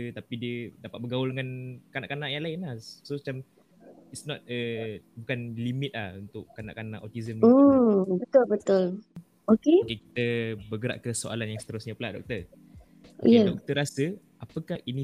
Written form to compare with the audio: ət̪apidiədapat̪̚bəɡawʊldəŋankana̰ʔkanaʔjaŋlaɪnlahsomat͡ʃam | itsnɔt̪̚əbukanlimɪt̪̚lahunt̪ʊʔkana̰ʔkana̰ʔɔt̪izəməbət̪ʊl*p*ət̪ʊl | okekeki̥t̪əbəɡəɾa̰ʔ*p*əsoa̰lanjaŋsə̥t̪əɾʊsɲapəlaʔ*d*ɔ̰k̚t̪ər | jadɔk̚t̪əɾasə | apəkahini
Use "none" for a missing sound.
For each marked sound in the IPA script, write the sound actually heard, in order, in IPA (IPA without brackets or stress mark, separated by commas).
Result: b, k, d